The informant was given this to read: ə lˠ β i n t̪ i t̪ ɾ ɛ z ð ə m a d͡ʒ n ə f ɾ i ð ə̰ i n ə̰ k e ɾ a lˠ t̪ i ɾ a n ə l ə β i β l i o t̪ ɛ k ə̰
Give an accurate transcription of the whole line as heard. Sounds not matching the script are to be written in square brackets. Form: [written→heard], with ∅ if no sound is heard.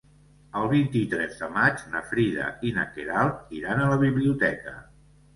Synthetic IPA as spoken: ə lˠ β i n t̪ i t̪ ɾ ɛ z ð ə m a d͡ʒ n ə f ɾ i ð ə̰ i n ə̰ k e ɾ a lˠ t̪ i ɾ a n ə l ə β i β l i [o→u] t̪ ɛ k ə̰